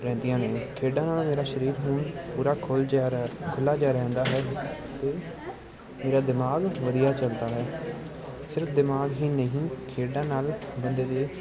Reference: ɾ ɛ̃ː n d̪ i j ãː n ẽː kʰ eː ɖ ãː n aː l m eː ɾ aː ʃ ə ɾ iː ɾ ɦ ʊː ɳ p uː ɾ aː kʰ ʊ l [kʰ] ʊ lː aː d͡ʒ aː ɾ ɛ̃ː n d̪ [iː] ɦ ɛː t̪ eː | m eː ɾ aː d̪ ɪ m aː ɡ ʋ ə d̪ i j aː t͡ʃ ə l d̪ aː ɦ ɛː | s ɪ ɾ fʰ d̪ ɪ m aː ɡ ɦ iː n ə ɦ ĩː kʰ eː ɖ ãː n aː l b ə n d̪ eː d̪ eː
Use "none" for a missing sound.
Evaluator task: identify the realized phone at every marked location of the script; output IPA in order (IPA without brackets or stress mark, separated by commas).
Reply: kʰ, aː